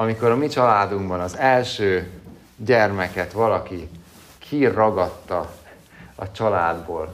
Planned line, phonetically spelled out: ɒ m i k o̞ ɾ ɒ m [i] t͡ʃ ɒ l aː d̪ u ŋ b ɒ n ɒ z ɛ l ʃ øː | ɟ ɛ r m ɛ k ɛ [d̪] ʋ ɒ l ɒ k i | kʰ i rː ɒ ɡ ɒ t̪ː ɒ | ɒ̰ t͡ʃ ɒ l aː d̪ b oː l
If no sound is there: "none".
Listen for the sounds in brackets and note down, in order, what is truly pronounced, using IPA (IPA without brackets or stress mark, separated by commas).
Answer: i, t̪